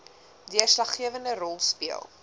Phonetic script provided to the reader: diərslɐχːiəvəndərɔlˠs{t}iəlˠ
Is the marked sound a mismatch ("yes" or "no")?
yes